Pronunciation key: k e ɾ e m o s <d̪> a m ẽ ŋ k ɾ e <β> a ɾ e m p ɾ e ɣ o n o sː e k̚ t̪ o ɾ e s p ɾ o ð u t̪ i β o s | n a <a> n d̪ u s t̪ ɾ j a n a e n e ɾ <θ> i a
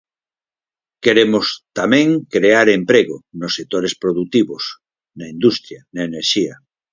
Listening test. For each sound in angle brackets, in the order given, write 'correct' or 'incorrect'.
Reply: incorrect: t̪, incorrect: none, incorrect: i, incorrect: ʃ

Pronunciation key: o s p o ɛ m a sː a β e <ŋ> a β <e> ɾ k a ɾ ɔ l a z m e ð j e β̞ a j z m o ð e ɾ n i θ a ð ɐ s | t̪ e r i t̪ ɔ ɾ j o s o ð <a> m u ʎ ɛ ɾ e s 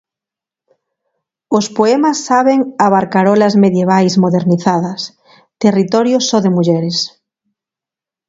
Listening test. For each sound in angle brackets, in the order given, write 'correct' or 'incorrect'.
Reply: correct, incorrect: a, incorrect: e

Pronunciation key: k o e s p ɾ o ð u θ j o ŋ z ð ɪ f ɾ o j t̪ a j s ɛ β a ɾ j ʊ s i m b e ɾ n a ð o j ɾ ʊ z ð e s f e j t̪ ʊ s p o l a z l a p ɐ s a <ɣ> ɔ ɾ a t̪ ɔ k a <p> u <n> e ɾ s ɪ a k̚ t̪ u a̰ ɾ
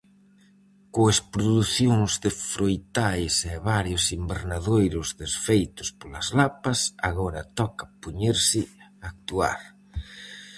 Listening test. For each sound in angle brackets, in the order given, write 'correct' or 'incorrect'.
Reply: correct, correct, incorrect: ɲ

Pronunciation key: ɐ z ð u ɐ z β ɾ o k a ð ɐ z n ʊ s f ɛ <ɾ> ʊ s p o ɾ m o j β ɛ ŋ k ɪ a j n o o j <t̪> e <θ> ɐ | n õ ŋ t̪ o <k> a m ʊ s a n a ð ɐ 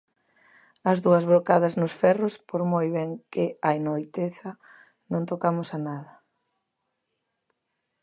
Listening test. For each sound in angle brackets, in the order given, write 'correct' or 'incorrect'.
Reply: incorrect: r, correct, correct, correct

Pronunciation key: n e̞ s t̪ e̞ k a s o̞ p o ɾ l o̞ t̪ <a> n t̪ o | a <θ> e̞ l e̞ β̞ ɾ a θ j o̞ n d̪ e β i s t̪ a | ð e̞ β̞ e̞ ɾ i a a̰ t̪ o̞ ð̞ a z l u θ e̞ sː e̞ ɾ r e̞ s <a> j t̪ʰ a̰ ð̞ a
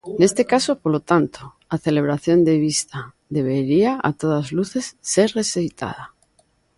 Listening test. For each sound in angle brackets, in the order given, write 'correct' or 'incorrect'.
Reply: correct, correct, incorrect: e

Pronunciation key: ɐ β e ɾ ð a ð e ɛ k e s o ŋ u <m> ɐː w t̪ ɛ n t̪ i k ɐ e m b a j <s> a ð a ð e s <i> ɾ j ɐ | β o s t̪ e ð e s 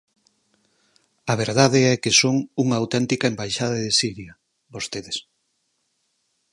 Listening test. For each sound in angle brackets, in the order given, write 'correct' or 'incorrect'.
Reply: incorrect: ŋ, incorrect: ʃ, correct

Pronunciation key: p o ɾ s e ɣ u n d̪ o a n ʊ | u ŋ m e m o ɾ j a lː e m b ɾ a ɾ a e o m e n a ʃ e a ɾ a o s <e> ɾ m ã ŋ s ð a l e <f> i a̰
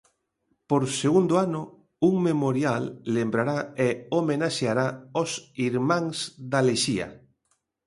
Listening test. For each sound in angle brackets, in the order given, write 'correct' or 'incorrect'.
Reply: incorrect: i, incorrect: ʃ

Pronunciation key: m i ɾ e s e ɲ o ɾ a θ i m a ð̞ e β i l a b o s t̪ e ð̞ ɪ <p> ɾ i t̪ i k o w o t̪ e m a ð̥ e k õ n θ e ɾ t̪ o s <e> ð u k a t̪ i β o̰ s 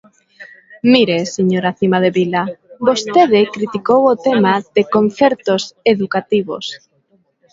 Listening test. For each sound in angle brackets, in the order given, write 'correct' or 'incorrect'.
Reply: incorrect: k, correct

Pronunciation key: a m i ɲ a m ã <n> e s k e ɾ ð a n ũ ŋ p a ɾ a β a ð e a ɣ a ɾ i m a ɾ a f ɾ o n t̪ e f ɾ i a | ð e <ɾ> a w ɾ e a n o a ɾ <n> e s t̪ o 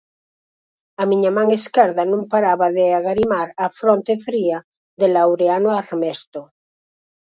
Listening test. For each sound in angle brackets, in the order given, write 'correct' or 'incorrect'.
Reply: incorrect: ŋ, incorrect: l, incorrect: m

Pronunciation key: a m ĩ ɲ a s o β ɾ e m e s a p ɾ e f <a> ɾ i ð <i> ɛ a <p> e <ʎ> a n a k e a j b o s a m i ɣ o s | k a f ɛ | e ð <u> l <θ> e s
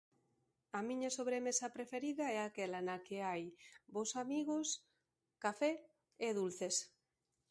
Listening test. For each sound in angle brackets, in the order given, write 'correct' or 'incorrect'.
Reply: incorrect: e, incorrect: a, incorrect: k, incorrect: l, correct, correct

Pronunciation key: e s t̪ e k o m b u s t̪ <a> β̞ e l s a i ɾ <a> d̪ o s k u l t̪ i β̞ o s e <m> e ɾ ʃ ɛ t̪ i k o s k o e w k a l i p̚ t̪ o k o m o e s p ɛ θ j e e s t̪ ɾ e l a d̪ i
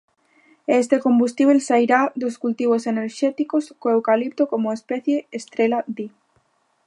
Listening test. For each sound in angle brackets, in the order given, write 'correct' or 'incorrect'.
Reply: incorrect: i, correct, incorrect: n

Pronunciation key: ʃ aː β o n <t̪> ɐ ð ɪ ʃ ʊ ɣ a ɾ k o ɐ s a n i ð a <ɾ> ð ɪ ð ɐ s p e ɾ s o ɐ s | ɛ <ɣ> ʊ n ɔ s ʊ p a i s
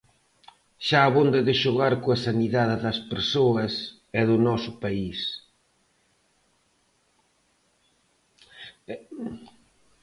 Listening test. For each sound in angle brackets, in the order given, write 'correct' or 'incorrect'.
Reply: incorrect: d̪, incorrect: none, incorrect: ð

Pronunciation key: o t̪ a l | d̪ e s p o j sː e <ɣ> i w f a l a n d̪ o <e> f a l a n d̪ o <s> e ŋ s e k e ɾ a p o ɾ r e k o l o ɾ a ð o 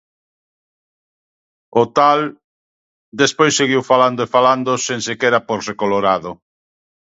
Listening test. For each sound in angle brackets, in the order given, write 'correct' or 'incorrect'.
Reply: correct, correct, correct

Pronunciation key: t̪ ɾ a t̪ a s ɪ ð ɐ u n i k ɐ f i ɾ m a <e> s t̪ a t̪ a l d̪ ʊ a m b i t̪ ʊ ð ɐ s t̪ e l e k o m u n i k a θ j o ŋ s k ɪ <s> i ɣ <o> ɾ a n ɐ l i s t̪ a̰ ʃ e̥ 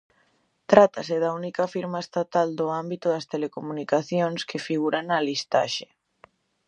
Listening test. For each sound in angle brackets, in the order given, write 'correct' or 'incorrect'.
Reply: correct, incorrect: f, incorrect: u

